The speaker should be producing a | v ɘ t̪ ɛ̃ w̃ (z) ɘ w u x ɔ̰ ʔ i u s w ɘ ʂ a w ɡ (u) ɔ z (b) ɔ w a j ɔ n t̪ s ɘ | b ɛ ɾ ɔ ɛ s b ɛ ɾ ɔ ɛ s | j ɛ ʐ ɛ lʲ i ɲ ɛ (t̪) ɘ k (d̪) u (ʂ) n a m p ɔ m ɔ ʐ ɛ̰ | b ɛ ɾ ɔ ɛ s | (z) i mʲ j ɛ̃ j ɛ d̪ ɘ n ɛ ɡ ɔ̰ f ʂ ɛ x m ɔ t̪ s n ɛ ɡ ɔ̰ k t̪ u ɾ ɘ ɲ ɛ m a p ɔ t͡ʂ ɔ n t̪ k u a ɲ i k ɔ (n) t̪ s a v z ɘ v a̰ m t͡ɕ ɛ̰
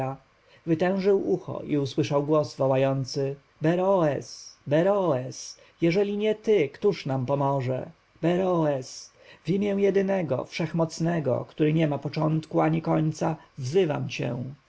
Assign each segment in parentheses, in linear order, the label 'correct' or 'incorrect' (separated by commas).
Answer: incorrect, incorrect, incorrect, correct, incorrect, correct, incorrect, incorrect